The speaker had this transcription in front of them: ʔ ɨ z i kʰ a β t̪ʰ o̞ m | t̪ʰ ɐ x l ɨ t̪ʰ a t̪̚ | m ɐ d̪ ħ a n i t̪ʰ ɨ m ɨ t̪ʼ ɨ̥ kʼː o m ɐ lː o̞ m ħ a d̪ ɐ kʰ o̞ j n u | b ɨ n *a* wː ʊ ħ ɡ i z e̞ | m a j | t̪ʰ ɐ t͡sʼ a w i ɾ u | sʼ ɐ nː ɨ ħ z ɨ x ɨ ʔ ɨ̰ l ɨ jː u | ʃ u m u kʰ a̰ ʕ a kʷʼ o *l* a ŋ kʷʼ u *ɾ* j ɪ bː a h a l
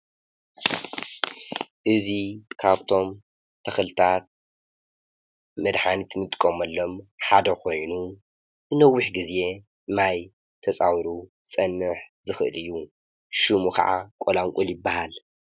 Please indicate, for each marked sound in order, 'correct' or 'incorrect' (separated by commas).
incorrect, correct, incorrect